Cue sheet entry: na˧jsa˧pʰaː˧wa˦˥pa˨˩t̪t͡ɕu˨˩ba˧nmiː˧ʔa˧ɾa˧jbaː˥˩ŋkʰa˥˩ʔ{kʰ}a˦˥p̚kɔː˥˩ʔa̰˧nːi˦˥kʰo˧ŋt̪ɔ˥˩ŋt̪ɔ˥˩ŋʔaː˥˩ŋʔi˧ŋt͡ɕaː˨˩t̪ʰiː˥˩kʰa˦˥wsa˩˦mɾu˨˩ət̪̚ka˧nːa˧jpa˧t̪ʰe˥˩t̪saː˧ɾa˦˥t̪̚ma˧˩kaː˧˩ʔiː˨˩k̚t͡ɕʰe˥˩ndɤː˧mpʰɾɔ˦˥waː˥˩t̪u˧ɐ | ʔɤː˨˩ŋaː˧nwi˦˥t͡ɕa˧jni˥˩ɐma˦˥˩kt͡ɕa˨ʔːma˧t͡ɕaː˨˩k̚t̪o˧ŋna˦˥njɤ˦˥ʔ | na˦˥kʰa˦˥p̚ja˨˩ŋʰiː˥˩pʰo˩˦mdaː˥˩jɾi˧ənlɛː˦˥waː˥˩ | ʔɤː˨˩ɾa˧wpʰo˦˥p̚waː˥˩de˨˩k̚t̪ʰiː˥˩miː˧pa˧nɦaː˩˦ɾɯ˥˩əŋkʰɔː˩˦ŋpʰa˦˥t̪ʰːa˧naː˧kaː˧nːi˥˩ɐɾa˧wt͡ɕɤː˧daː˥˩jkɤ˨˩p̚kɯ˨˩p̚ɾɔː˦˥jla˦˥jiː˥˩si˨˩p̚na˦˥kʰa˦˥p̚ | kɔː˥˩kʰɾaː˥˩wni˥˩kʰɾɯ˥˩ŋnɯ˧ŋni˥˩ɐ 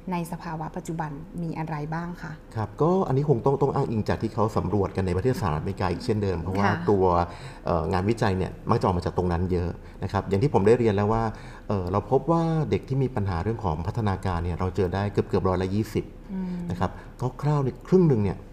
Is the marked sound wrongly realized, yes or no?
no